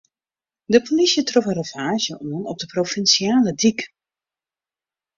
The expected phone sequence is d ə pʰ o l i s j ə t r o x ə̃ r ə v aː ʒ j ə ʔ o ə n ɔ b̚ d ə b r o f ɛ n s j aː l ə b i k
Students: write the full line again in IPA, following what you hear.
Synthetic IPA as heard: d ə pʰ o l i s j ə t r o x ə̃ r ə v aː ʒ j ə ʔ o ə n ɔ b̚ d ə p r o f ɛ n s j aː l ə d i k